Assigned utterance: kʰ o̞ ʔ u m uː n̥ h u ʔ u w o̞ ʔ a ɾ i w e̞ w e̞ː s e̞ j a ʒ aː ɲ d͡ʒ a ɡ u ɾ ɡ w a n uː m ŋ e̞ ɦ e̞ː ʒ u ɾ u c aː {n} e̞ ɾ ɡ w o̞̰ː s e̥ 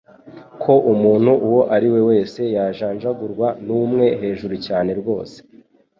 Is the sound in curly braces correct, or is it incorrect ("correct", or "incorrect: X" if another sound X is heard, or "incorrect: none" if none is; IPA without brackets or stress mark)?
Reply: correct